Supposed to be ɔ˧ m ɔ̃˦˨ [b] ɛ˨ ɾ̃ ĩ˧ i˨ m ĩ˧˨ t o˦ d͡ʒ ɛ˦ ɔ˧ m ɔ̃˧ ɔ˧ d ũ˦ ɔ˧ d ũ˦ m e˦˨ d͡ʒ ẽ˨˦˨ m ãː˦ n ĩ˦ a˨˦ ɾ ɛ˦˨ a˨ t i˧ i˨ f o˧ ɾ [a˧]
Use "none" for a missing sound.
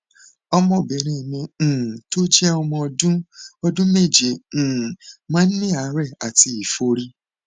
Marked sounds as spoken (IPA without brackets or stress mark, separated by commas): b, i˧